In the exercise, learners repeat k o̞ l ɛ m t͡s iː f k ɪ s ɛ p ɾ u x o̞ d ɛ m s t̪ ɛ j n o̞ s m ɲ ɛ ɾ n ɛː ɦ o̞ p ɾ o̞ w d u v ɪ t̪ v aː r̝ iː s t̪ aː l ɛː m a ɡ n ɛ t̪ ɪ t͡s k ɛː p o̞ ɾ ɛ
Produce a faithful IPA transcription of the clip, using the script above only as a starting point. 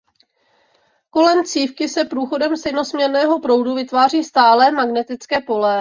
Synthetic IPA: k o̞ l ɛ m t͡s iː f k ɪ s ɛ p ɾ uː x o̞ d ɛ m s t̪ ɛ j n o̞ s m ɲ ɛ ɾ n ɛː ɦ o̞ p ɾ o̞ w d u v ɪ t̪ v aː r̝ iː s t̪ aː l ɛː m a ɡ n ɛ t̪ ɪ t͡s k ɛː p o̞ l ɛ